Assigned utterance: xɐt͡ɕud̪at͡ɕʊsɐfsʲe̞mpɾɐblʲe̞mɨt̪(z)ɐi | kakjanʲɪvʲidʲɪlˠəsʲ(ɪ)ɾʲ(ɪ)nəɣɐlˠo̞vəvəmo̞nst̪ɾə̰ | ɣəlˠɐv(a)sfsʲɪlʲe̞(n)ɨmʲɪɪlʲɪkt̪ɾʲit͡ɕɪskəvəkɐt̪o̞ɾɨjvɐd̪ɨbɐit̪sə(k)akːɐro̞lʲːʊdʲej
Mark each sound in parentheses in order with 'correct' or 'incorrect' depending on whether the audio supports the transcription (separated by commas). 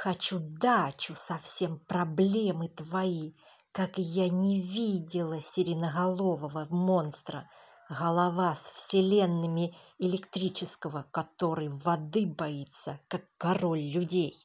incorrect, correct, correct, correct, incorrect, correct